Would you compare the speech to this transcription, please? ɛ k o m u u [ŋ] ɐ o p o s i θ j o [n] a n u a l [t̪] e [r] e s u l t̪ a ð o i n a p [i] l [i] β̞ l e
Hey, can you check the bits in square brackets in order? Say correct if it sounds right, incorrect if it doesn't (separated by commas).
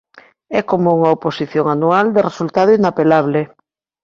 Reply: correct, incorrect, incorrect, correct, incorrect, incorrect